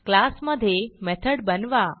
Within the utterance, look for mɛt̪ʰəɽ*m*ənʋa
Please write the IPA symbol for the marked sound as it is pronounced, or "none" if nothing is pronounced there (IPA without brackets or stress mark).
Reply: b